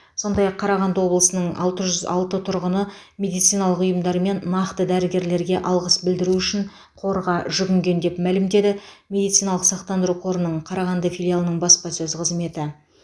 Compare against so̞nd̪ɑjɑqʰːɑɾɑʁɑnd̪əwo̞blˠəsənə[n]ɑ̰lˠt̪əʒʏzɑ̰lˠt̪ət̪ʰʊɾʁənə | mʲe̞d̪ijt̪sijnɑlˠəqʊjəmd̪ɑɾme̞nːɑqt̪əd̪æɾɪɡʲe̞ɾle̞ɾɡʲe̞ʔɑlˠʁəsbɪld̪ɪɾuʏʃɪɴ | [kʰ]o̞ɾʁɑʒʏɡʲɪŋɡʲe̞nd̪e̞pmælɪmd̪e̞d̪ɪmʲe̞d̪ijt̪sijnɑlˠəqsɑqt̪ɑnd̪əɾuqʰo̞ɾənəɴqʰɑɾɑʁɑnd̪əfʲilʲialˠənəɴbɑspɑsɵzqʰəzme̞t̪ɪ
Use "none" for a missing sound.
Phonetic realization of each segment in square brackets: ɴ, qʰ

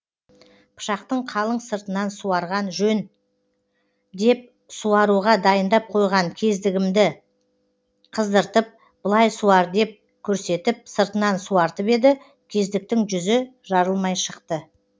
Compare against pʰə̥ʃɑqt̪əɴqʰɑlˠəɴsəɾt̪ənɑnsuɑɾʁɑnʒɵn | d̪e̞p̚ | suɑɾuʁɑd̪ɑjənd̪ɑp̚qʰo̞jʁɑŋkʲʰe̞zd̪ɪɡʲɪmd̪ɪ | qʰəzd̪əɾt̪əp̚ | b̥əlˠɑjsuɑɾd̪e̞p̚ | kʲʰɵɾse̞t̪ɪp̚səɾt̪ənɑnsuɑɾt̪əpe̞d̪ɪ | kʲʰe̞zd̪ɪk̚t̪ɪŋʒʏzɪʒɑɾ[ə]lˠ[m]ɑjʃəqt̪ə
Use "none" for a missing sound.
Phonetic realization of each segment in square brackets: ə, m

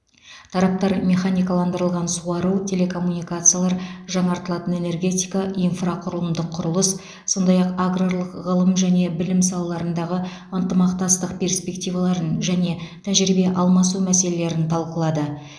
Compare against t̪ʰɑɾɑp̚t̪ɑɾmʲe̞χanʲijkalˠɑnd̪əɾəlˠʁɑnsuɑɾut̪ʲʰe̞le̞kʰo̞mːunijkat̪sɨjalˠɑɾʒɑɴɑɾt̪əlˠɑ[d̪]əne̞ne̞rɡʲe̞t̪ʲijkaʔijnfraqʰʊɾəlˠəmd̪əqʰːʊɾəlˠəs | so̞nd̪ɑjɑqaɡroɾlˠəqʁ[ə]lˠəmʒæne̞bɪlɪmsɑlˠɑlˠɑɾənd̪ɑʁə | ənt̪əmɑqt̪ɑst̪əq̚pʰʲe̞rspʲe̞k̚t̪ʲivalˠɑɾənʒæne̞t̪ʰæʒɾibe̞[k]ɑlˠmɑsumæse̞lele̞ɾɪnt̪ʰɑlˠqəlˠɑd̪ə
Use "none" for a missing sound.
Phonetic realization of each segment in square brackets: t̪, ə, ʔ

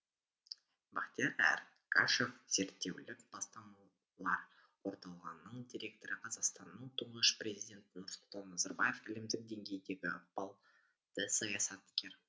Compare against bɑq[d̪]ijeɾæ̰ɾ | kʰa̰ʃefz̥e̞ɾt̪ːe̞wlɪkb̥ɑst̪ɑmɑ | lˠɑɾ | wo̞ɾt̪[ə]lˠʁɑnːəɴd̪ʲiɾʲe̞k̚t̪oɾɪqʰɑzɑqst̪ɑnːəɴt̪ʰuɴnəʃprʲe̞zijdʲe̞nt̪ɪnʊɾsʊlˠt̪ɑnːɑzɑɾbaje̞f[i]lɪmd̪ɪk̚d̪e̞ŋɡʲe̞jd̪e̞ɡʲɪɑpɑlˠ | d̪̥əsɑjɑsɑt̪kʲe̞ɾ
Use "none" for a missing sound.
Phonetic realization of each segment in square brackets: t̪, ɑ, ɪ

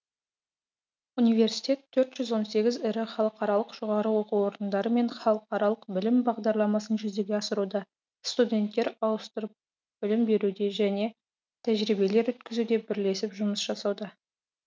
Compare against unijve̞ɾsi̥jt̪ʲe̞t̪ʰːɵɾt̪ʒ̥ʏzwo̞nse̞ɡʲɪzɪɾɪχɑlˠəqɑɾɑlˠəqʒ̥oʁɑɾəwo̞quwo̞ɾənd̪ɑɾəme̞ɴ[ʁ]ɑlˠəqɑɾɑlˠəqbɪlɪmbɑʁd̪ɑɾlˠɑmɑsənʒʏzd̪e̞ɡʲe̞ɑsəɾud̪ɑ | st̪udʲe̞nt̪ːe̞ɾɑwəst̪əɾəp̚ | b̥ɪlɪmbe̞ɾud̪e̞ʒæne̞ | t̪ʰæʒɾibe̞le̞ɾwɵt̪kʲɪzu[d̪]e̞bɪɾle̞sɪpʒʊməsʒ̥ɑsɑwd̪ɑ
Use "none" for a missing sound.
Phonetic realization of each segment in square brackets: χ, d̪

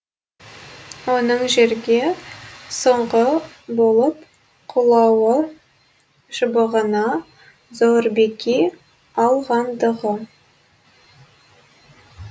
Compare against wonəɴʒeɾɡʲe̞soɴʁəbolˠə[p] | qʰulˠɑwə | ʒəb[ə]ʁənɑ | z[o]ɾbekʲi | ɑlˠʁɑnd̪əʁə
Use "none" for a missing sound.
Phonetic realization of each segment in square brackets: p, ə, o

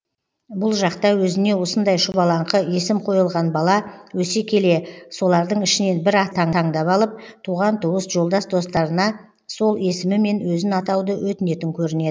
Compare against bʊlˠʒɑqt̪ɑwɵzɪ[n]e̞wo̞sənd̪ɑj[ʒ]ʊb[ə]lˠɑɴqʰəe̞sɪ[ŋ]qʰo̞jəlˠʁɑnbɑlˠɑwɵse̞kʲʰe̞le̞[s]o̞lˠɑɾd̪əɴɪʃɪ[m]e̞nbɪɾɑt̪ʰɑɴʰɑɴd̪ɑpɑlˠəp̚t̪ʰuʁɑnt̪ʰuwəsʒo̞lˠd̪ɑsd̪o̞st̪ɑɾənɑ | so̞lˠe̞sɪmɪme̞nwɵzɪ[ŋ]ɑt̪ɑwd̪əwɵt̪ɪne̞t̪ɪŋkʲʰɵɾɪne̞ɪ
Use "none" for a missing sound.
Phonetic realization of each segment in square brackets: n, ʃ, ɑ, m, s, n, n

